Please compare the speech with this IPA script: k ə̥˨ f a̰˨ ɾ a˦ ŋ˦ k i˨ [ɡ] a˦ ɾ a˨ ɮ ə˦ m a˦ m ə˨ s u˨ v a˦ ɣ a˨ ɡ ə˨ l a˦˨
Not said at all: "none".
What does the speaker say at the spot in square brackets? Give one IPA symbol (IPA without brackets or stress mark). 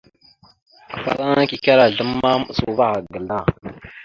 k